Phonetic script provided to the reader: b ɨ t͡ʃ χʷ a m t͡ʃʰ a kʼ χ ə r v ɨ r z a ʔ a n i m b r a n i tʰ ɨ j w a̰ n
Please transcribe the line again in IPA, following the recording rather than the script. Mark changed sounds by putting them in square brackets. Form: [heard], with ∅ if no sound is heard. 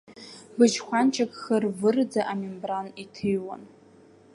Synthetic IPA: b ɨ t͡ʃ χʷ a [n] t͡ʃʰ a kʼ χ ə r v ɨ r [d͡z] a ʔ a [m] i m b r a n i tʰ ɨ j w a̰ n